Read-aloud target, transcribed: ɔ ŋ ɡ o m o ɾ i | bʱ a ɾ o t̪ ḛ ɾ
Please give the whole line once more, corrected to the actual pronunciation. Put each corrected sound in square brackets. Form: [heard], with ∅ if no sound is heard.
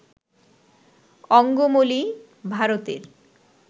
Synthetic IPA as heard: ɔ ŋ ɡ o m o [l] i | bʱ a ɾ o t̪ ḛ ɾ